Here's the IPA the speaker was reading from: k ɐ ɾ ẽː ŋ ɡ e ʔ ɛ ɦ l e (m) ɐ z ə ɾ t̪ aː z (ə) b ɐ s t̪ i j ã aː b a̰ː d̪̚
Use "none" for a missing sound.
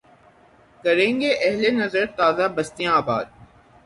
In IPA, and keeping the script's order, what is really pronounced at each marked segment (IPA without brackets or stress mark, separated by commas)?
n, a